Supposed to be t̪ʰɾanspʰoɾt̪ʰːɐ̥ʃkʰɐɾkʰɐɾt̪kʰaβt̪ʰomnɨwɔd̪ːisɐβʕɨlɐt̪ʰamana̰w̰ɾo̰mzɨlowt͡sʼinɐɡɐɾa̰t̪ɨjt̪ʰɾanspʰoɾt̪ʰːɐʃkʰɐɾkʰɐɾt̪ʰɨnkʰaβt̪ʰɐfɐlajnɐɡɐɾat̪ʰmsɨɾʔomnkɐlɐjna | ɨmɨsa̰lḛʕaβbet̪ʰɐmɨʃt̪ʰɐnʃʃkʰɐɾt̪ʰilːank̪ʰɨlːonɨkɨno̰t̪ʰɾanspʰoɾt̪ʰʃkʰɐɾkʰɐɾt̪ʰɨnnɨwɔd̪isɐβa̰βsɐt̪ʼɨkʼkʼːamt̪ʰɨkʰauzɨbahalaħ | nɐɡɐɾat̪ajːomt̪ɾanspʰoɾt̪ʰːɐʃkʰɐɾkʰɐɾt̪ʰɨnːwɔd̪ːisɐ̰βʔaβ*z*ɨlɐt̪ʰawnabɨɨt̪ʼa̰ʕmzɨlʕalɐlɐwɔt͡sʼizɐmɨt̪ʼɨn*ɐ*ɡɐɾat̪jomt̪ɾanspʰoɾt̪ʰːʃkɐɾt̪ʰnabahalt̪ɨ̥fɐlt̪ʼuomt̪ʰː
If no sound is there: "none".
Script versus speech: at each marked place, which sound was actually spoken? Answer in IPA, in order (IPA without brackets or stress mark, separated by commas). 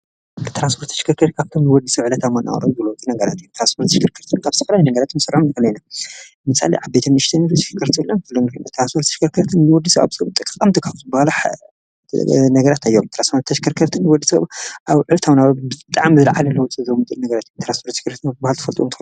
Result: ʕ, ɐ